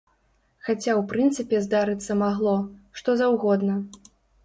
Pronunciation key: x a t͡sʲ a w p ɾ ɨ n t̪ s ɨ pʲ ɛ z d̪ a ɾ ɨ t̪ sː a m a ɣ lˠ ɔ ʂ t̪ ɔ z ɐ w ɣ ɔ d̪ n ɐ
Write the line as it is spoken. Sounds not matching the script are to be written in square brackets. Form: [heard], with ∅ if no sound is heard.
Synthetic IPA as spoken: x a t͡sʲ a w p ɾ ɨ n t̪ s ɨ pʲ ɛ z d̪ a ɾ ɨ t̪ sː [ɐ] m a ɣ lˠ ɔ ʂ t̪ ɔ z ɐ w ɣ ɔ d̪ n ɐ